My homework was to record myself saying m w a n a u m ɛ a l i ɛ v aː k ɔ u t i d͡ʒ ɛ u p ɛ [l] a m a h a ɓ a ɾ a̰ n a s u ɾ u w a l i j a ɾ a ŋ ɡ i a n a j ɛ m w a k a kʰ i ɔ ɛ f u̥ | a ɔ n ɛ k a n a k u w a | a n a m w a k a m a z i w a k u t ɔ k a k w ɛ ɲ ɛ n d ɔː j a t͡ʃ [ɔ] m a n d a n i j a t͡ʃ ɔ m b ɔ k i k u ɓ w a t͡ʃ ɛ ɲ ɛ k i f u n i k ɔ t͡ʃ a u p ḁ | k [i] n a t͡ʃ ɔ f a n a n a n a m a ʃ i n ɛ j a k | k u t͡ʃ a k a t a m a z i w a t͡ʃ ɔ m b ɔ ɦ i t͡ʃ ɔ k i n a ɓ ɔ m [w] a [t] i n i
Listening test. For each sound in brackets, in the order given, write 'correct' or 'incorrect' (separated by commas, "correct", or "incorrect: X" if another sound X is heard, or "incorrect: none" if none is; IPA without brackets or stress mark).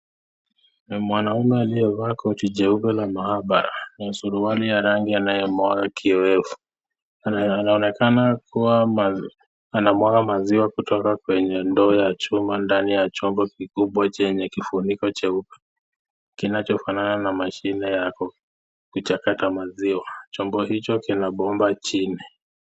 correct, incorrect: u, correct, incorrect: b, incorrect: t͡ʃ